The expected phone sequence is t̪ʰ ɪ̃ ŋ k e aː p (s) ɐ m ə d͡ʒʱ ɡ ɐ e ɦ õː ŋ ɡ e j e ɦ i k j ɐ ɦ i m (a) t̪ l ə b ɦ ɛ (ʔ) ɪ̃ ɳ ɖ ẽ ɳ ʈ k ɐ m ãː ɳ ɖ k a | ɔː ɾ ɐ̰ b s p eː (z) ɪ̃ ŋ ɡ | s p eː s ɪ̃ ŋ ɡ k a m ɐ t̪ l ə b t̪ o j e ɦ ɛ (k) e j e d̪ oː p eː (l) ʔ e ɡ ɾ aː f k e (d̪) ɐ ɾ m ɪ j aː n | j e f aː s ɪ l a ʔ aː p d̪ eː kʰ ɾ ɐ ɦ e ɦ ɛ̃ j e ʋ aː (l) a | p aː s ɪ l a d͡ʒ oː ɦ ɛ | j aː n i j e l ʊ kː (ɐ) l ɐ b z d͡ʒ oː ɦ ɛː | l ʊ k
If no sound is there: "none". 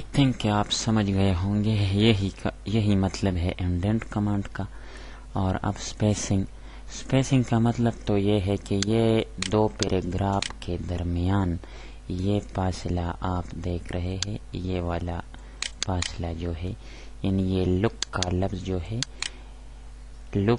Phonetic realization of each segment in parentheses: s, ɐ, ʔ, s, k, ɾ, d̪, l, a

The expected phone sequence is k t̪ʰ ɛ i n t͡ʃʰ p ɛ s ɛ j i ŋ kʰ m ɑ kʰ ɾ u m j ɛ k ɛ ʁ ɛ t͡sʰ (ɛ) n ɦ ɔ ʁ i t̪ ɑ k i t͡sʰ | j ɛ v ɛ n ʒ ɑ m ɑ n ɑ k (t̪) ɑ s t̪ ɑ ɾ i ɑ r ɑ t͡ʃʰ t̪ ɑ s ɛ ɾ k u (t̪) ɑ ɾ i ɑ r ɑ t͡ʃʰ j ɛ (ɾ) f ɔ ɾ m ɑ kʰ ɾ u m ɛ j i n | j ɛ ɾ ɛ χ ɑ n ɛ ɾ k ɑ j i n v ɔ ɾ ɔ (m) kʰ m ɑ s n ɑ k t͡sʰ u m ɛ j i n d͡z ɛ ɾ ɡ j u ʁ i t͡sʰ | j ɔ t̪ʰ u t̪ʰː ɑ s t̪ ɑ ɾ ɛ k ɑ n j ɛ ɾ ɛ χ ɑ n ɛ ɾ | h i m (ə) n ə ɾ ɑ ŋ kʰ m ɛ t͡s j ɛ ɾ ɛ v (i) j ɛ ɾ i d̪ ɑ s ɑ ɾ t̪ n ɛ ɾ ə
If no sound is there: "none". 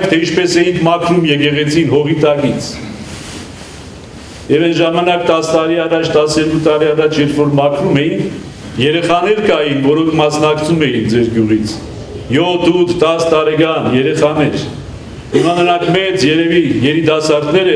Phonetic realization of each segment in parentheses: i, t̪, t̪, ɾ, ŋ, ɑ, i

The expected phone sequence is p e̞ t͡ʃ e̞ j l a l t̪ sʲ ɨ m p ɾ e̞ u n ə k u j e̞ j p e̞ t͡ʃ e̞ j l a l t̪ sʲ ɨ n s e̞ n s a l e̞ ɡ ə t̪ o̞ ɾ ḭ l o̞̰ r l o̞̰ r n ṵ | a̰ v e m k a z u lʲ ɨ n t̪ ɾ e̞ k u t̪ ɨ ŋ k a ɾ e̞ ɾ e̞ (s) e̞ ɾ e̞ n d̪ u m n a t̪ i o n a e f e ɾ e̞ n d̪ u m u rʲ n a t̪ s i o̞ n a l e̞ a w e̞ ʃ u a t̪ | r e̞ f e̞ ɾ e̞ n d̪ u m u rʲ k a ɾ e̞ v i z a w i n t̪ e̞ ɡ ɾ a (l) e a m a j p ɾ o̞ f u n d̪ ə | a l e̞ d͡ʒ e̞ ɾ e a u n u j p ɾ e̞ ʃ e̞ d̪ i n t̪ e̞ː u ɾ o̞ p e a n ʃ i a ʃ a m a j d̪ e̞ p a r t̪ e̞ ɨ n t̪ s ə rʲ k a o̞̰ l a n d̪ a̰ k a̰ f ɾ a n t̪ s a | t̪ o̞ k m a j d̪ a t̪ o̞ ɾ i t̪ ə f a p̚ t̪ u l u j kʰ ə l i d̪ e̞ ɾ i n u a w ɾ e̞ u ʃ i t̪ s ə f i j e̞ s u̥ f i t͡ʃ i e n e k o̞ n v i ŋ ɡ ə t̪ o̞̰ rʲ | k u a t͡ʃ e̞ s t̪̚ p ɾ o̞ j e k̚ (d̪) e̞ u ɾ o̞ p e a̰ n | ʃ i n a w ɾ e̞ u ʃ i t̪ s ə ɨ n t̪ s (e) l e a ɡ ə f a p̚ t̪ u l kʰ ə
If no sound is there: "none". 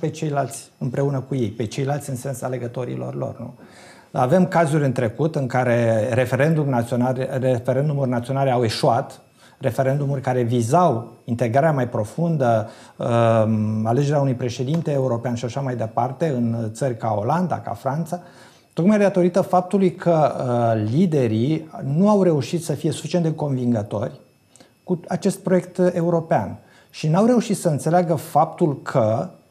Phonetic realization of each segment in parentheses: f, ɾ, t̪, e

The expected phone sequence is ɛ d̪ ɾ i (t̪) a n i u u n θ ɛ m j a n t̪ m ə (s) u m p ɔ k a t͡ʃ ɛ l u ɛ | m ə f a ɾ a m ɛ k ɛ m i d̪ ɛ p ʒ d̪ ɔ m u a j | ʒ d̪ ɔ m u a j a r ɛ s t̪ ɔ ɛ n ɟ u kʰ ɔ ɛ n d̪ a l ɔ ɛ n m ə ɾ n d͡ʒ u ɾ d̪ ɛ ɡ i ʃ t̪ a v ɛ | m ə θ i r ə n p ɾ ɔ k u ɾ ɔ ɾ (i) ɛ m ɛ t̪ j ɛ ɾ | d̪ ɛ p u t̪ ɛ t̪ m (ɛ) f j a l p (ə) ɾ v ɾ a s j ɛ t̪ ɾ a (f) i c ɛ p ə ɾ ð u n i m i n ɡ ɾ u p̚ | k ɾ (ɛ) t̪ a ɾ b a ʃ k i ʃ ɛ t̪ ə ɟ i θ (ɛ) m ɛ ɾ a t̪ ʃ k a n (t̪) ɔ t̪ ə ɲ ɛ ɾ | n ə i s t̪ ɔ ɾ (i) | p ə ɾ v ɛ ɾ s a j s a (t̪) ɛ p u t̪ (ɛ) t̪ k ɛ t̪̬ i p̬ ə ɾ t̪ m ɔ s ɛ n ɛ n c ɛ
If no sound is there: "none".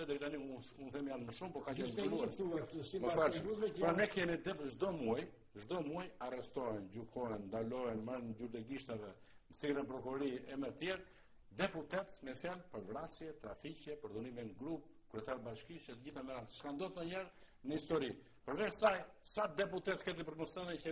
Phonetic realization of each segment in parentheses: t̪, ʃ, i, ɛ, ə, f, ɛ, a, d̪, i, d̪, ɛ

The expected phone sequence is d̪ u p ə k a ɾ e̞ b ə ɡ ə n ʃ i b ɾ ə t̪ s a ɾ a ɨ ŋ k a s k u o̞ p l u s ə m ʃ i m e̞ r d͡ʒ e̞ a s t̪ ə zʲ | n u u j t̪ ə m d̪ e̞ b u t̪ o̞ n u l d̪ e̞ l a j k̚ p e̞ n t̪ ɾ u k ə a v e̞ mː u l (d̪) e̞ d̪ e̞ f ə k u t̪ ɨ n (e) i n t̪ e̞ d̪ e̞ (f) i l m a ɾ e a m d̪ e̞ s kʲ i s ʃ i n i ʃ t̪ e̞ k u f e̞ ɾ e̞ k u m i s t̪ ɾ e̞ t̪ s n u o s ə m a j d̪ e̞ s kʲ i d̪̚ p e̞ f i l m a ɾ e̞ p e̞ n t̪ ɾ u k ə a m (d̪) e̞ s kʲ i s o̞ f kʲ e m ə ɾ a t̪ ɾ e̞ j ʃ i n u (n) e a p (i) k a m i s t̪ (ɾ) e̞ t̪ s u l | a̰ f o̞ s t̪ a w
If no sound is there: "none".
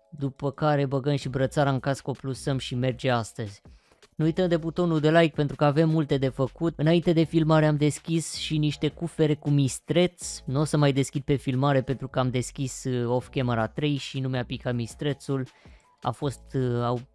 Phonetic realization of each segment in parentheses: t̪, a, f, d̪, m, i, ɾ

